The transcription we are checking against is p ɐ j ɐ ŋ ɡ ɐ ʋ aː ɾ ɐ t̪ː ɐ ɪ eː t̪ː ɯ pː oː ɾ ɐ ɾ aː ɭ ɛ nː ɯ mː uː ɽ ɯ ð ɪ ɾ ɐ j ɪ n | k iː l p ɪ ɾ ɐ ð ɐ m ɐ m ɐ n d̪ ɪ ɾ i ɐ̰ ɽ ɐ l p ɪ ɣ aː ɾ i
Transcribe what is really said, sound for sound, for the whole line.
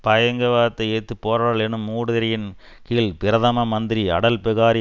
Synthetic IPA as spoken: p ɐ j ɐ ŋ ɡ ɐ ʋ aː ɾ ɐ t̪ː ɐ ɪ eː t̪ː ɯ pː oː ɾ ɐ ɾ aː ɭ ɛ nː ɯ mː uː ɽ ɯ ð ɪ ɾ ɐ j ɪ n | k iː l p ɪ ɾ ɐ ð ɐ m ɐ m ɐ n d̪ ɪ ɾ i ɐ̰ ɽ ɐ l p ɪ ɣ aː ɾ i